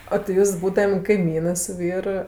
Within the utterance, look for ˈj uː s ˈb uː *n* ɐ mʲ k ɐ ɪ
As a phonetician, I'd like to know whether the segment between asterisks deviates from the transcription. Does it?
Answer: yes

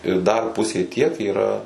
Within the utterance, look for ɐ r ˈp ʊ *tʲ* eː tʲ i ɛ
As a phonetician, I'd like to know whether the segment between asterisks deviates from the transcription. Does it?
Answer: yes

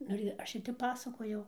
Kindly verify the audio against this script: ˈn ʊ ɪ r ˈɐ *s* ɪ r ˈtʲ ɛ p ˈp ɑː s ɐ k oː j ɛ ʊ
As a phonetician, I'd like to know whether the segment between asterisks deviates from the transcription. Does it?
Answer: yes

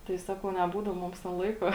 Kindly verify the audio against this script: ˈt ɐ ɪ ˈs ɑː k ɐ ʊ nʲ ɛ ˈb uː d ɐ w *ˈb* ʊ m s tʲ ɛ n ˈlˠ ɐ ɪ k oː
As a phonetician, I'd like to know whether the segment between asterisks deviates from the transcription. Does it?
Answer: yes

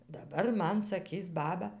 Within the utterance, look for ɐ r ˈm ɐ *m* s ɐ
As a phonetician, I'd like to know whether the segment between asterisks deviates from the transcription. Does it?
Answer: yes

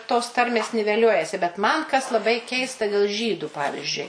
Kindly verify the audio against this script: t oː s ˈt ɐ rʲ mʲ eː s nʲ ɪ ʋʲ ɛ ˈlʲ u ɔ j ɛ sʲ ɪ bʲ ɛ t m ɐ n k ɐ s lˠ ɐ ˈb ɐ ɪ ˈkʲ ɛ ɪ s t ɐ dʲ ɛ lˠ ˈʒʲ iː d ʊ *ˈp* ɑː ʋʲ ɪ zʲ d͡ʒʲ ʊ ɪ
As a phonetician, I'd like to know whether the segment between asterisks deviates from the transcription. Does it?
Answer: no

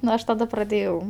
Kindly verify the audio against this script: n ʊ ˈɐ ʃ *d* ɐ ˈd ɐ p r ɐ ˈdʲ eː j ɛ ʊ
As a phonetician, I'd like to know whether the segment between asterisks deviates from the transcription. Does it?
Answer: yes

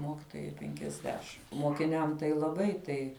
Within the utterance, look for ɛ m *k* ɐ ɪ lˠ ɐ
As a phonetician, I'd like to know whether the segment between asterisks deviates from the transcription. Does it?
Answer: yes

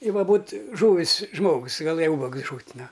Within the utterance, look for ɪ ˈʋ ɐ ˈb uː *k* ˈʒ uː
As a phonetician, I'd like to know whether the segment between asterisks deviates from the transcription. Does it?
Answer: yes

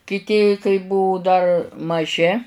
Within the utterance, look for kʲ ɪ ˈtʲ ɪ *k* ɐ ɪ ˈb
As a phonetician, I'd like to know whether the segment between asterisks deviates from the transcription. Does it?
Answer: no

